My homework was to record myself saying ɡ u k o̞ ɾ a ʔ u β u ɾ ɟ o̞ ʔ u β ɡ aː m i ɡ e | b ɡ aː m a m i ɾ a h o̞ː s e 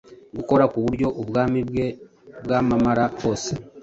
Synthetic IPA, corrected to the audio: ɡ u k o̞ ɾ a k u β u ɾ ɟ o̞ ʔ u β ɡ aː m i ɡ e | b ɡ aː m a m a ɾ a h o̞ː s e

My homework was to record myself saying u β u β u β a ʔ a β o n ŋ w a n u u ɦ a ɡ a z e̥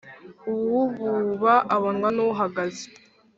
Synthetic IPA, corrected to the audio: u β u β u β a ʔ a β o n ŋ w a n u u ɦ a ɡ a z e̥

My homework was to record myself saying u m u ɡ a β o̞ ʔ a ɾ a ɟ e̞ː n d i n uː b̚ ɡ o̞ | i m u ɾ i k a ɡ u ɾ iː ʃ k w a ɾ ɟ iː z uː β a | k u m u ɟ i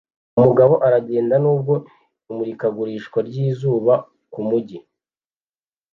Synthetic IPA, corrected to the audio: u m u ɡ a β o̞ ʔ a ɾ a ɟ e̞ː n d a n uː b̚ ɡ o̞ | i m u ɾ i k a ɡ u ɾ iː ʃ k w a ɾ ɟ iː z uː β a | k u m u ɟ i

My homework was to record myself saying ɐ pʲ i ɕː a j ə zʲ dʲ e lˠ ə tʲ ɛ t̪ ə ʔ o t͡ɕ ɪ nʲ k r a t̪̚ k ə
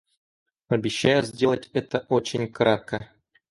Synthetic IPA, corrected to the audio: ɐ bʲ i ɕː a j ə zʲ dʲ e lˠ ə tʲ ɛ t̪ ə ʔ o t͡ɕ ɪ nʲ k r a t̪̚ k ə

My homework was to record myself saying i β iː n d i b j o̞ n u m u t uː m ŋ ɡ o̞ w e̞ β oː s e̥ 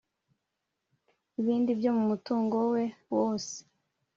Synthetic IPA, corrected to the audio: i β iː n d i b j o̞ m u m u t uː ŋ ɡ o̞ w e̞ w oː s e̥

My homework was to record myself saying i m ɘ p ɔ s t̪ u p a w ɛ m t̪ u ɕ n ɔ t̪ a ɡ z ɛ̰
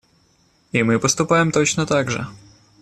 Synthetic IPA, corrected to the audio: i m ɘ p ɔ s t̪ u p a w ɛ m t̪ ɔ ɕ n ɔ t̪ a ɡ ʐ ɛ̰

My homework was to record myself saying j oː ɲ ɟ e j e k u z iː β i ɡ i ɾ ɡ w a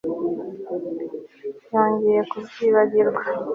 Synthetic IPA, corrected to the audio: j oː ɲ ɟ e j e k u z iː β a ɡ i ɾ ɡ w a

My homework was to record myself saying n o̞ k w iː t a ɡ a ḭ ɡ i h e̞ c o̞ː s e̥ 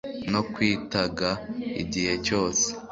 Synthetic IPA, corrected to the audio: n o̞ k w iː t a ɡ a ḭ ɟ i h e̞ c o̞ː s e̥

